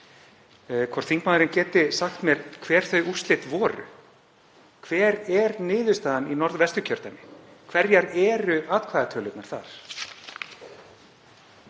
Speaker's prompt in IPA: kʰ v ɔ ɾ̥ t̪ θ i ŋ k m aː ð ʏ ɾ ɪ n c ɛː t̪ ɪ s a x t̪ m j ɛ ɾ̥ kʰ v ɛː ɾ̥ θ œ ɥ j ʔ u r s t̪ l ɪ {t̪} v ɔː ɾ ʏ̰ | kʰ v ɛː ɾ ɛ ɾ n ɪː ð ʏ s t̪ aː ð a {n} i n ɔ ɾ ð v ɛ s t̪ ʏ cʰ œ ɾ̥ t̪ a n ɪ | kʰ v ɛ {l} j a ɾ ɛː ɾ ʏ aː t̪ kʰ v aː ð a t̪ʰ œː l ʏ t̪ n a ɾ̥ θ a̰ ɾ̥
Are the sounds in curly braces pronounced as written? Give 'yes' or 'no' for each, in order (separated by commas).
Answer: yes, yes, no